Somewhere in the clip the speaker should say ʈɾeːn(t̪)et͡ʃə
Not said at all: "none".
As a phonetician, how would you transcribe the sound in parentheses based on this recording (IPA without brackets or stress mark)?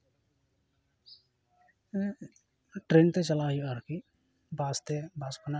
t̪